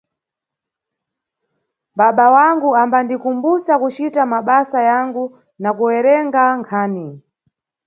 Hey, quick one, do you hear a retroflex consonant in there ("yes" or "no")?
no